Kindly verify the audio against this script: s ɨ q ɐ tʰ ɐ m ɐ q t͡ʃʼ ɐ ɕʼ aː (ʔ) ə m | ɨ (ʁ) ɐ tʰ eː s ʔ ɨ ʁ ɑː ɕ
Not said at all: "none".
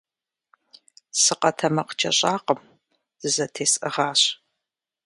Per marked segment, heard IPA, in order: q, z

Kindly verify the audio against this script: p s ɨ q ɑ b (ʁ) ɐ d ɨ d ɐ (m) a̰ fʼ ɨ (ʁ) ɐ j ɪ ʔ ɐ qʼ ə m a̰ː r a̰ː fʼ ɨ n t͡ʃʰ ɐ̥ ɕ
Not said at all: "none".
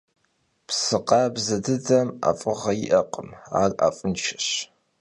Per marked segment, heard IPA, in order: z, m, ʁ

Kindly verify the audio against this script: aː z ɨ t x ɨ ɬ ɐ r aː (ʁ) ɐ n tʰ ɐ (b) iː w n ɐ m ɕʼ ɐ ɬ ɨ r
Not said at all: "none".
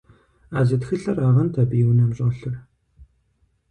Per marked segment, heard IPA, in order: ʁ, b

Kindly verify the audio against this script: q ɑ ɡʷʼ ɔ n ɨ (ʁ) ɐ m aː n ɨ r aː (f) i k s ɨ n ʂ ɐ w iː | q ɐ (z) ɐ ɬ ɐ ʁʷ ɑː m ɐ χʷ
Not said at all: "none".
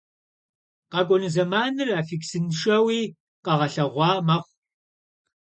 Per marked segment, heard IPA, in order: z, f, ʁ

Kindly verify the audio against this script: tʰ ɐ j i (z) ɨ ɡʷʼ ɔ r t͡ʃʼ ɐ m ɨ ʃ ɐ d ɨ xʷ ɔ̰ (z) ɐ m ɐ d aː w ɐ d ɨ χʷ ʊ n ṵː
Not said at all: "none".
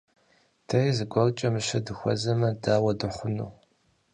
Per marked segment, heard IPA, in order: z, z

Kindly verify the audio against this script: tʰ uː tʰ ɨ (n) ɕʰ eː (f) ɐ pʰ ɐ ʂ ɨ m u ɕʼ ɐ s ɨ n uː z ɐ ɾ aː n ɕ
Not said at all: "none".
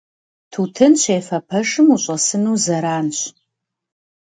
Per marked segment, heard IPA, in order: n, f

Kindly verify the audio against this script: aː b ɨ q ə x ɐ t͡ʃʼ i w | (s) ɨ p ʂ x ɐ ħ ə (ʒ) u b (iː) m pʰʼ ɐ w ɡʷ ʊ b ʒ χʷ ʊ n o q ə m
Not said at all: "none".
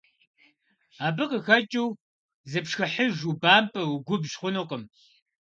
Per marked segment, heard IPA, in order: z, ʒ, aː

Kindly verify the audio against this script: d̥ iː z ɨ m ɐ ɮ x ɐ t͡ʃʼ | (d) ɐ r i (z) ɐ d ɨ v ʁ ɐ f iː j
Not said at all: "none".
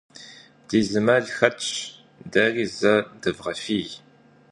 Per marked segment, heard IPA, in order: d, z

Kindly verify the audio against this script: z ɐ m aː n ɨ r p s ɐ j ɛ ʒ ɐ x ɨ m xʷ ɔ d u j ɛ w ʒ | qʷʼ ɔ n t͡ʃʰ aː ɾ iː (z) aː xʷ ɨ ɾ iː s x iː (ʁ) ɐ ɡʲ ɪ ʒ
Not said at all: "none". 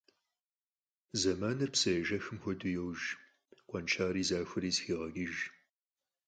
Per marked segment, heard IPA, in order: z, ʁ

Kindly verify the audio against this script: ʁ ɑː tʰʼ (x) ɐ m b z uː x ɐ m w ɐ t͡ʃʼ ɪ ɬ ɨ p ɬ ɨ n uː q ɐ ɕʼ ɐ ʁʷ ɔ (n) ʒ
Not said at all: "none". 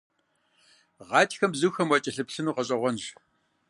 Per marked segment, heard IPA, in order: x, n

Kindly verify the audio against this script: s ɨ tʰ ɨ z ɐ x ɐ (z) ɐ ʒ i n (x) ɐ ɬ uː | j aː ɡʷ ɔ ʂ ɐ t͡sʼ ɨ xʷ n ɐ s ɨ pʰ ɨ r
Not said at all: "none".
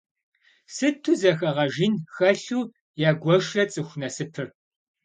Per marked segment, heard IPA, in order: ʁ, x

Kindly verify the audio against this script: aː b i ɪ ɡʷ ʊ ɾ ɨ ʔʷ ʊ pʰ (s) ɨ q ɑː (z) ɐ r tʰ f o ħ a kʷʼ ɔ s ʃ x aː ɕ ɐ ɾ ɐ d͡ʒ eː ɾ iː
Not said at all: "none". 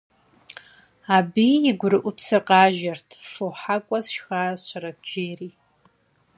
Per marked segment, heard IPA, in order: s, ʒ

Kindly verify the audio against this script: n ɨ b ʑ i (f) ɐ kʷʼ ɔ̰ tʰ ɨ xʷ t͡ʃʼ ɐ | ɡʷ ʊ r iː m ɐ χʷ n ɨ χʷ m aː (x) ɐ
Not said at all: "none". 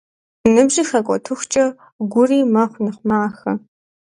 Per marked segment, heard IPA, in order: x, x

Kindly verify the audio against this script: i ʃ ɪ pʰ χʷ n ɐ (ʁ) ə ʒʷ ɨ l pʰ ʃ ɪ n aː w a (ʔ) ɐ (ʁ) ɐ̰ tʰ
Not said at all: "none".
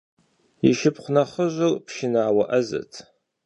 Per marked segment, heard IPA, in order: χ, ʔ, z

